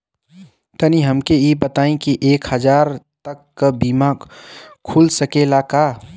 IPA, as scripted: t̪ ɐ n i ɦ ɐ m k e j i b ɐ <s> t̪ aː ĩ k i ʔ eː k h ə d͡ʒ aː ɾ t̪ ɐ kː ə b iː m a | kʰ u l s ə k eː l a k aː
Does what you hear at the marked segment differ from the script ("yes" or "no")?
yes